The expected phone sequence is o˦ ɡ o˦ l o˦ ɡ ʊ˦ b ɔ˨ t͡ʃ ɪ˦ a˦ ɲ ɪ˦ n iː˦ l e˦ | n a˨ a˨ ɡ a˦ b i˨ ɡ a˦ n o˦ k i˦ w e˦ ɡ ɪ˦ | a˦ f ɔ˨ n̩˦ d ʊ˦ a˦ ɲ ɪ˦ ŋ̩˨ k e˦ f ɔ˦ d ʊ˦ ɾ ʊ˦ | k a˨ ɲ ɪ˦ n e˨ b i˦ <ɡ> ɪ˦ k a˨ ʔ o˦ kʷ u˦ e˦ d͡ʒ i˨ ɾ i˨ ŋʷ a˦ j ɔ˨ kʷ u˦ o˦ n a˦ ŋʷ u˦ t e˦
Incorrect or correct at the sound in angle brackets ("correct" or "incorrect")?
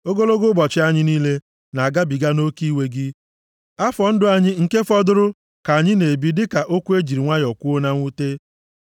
incorrect